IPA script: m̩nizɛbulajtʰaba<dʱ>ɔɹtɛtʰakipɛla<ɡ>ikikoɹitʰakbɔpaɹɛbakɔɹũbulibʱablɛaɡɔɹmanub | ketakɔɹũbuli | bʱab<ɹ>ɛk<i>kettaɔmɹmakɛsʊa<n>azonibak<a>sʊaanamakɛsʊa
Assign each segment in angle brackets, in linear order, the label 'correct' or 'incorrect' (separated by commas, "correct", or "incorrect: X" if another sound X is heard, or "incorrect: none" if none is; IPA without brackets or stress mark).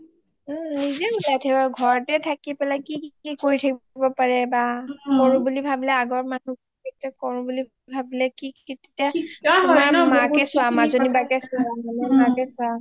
incorrect: ɡʱ, incorrect: k, incorrect: l, correct, incorrect: m, incorrect: ɛ